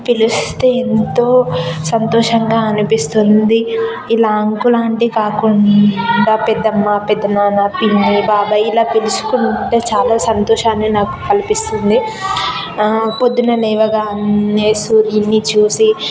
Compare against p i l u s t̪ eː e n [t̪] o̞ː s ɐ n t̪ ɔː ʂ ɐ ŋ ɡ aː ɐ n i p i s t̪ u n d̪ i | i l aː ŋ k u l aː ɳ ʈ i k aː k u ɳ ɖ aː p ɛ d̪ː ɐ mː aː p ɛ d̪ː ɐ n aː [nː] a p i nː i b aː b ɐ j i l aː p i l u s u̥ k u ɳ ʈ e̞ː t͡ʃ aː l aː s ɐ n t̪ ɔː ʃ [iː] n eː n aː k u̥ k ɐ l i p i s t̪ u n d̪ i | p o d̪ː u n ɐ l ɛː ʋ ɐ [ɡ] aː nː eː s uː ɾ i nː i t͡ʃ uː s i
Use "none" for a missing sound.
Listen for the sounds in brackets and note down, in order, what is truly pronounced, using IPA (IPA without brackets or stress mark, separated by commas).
t̪, n, aː, ɡ